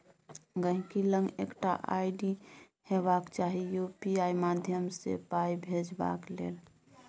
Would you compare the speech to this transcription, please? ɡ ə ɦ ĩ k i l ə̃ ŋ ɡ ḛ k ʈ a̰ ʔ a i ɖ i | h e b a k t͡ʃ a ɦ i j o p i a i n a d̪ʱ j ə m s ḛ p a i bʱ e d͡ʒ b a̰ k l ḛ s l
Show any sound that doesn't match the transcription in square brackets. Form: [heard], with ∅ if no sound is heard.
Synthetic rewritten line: ɡ ə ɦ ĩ k i l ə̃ ŋ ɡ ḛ k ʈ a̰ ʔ a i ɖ i | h e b a k t͡ʃ a ɦ i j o p i a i [m] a d̪ʱ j ə m s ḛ p a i bʱ e d͡ʒ b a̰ k l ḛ [∅] l

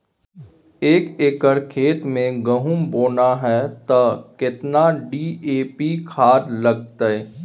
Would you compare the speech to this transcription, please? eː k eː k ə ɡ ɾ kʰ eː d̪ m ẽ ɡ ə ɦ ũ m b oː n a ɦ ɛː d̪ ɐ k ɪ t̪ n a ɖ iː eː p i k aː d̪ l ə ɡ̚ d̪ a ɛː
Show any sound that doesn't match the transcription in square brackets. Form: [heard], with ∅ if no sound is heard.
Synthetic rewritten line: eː k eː k ə [∅] ɾ kʰ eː [t̪] m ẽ ɡ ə ɦ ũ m b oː n a ɦ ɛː [t̪] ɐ k ɪ t̪ n a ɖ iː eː p i [kʰ] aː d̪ l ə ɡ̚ [t̪] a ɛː

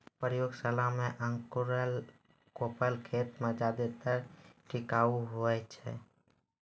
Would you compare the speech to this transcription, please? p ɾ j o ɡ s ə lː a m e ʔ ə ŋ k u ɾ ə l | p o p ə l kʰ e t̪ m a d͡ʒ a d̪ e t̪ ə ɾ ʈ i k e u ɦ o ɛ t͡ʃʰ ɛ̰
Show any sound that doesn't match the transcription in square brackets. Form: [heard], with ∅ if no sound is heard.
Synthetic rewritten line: p ɾ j o ɡ s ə [l] a m e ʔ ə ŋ k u ɾ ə l | [k] o p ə l kʰ e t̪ m [e] d͡ʒ a d̪ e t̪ ə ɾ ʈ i k [a] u ɦ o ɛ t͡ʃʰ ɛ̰

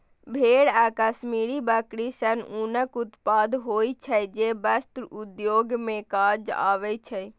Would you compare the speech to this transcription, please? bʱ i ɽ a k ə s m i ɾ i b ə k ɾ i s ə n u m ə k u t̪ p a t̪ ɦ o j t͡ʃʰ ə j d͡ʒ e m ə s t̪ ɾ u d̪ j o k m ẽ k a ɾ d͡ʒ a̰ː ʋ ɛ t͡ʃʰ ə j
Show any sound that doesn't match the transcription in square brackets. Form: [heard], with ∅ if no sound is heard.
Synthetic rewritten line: bʱ [e] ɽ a k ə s m i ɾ i b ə k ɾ i s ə n u [n] ə k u t̪ p a [d̪] ɦ o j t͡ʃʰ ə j d͡ʒ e [b] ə s t̪ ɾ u d̪ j o [ɡ] m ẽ k a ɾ d͡ʒ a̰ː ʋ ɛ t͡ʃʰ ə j

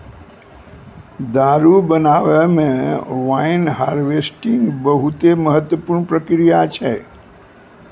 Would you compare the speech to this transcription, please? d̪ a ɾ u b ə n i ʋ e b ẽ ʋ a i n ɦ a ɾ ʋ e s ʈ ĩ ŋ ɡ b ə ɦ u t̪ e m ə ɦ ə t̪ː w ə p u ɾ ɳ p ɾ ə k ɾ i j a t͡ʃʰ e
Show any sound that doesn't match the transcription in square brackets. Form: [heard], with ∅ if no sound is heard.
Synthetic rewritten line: d̪ a ɾ u b ə n [a] ʋ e [m] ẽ ʋ a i n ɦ a ɾ ʋ e s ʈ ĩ ŋ ɡ b ə ɦ u t̪ e m ə ɦ ə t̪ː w ə p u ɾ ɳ p ɾ ə k ɾ i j a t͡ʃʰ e

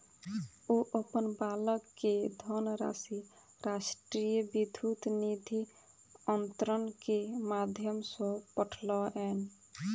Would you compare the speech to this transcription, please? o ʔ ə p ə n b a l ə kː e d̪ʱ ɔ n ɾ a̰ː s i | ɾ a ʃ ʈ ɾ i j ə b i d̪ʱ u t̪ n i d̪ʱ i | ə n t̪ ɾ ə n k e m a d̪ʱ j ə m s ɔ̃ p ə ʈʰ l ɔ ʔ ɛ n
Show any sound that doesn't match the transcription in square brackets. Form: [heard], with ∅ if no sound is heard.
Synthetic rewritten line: o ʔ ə p ə n b a l ə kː e d̪ʱ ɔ n ɾ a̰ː s i | ɾ a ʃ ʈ ɾ i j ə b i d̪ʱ u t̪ n i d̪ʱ i | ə n t̪ ɾ ə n k e m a d̪ʱ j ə m s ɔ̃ p ə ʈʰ l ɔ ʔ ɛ n

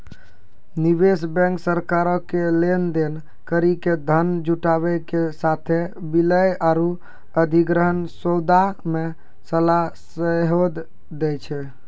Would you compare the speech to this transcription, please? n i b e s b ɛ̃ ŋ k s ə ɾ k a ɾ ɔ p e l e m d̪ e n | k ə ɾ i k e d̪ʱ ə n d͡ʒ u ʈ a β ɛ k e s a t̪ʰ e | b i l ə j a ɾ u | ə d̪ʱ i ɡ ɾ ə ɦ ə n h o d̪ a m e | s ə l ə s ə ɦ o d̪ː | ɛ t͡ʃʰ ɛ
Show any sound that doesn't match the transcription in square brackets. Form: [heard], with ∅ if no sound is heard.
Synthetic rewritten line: n i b e s b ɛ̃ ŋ k s ə ɾ k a ɾ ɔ [k] e l e [n] d̪ e n | k ə ɾ i k e d̪ʱ ə n d͡ʒ u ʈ a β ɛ k e s a t̪ʰ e | b i l ə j a ɾ u | ə d̪ʱ i ɡ ɾ ə ɦ ə n [s] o d̪ a m e | s ə l [a] s ə ɦ o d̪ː | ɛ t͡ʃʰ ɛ

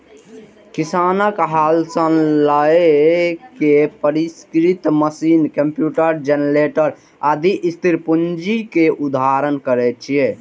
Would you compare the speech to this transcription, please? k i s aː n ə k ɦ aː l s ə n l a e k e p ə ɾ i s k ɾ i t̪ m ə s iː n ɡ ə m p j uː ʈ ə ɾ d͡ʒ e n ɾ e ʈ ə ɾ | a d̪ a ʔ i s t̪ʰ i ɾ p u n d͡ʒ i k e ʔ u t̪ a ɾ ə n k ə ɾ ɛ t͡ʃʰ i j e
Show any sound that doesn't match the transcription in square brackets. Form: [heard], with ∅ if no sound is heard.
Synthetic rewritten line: k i s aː n ə k ɦ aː l s ə n l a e k e p ə ɾ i s k ɾ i t̪ m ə s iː n [k] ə m p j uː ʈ ə ɾ d͡ʒ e n ɾ e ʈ ə ɾ | a d̪ [i] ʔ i s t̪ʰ i ɾ p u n d͡ʒ i k e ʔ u [d̪] a ɾ ə n k ə ɾ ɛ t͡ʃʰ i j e

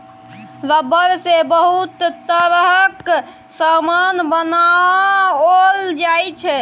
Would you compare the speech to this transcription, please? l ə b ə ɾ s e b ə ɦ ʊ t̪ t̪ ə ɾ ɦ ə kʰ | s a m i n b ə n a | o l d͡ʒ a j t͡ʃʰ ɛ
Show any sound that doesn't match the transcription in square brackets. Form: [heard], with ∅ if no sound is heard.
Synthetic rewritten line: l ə b ə ɾ s e b ə ɦ [u] t̪ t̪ ə ɾ ɦ ə [k] | s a m [a] n b ə n a | o l d͡ʒ a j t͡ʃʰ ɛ

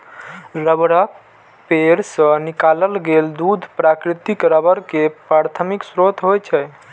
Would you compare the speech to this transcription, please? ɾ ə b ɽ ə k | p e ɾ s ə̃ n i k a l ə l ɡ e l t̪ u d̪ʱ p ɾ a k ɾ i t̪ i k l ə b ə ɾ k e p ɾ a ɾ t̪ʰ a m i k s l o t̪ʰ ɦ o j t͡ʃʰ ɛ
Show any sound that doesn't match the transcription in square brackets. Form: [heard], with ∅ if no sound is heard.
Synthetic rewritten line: ɾ ə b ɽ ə k | p e ɾ s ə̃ n i k a l ə l ɡ e l [d̪] u d̪ʱ p ɾ a k ɾ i t̪ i k [ɾ] ə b ə ɾ k e p ɾ a ɾ t̪ʰ [ə] m i k s [ɾ] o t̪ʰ ɦ o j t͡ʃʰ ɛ

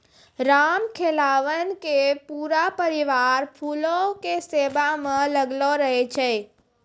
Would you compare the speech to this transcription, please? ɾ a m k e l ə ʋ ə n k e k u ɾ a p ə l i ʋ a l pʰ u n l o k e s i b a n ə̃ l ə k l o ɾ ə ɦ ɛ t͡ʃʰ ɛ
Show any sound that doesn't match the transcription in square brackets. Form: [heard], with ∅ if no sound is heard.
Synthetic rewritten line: ɾ a m [kʰ] e l [a] ʋ ə n k e [p] u ɾ a p ə [ɾ] i ʋ a [ɾ] pʰ u [∅] l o k e s [e] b a [m] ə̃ l ə [ɡ] l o ɾ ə ɦ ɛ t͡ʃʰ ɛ

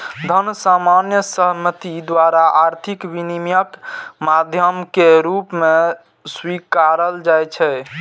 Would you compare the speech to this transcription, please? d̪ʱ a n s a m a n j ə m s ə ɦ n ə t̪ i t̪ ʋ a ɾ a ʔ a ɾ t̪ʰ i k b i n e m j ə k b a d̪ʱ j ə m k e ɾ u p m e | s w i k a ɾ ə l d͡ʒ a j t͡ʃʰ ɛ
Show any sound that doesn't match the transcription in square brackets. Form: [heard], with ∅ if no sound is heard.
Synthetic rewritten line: d̪ʱ [ə] n s a m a n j ə [∅] s ə ɦ [m] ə t̪ i [d̪] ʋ a ɾ a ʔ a ɾ t̪ʰ i k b i n [i] m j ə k [m] a d̪ʱ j ə m k e ɾ u p m e | s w i k a ɾ ə l d͡ʒ a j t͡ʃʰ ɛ

